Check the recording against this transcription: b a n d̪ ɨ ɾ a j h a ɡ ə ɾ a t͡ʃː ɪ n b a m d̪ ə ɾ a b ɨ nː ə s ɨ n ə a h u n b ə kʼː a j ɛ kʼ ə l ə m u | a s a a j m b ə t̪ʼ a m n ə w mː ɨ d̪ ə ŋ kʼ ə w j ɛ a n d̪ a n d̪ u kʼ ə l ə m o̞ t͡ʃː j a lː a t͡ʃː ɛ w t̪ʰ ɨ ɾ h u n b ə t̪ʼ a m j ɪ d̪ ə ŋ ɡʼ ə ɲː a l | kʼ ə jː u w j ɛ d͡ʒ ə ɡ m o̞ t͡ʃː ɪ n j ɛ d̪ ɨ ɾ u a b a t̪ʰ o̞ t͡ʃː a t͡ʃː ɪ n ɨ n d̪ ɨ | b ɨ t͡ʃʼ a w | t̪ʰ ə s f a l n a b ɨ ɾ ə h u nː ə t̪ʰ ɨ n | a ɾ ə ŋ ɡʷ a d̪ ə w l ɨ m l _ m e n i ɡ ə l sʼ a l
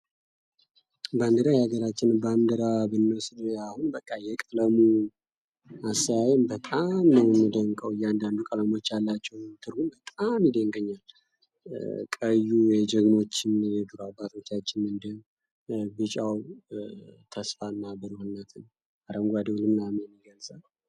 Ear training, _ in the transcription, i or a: a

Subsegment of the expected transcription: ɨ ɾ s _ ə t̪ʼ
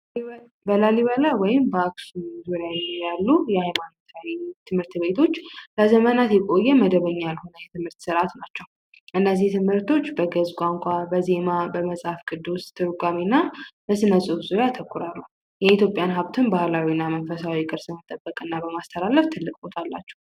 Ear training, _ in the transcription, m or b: m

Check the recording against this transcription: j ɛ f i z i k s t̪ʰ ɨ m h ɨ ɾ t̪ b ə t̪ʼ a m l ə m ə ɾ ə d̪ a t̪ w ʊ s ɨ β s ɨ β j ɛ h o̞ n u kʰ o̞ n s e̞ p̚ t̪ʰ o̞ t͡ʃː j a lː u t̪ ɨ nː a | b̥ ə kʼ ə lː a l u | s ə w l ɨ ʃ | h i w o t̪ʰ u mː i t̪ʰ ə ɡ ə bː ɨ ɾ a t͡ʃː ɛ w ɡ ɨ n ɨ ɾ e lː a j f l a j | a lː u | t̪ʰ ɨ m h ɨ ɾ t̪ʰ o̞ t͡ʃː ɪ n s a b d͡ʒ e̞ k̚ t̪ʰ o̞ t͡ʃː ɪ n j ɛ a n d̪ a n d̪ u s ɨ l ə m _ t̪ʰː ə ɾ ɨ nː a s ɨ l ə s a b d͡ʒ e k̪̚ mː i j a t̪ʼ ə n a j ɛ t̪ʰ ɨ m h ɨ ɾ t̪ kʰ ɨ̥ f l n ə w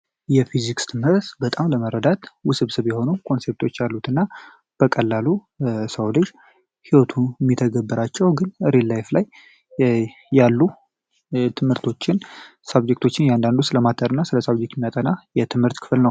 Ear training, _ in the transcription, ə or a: a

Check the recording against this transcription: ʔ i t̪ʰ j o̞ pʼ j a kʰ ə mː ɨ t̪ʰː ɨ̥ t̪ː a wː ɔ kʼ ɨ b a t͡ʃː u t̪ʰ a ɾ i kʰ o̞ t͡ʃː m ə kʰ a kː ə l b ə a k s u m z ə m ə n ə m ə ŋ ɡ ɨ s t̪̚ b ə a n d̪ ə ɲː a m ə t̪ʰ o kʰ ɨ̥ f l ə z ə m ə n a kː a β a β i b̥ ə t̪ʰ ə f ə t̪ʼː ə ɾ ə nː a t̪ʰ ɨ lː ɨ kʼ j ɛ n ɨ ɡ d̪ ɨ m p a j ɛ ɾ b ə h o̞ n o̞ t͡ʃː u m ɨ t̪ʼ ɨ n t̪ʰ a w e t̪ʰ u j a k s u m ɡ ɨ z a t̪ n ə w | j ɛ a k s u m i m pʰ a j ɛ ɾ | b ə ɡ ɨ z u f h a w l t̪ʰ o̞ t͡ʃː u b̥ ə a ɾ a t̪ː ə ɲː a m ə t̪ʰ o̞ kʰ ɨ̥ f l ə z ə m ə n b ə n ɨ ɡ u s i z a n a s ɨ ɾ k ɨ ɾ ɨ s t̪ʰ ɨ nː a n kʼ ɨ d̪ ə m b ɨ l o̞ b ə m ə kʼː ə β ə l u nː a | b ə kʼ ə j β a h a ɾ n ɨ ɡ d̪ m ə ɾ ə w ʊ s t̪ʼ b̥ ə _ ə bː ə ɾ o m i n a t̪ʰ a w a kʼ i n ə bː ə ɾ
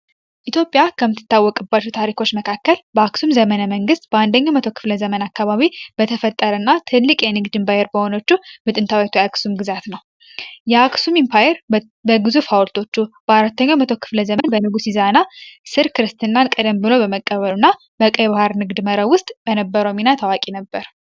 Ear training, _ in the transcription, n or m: n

